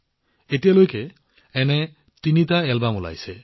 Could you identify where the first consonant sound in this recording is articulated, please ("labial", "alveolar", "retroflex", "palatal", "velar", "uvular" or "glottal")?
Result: alveolar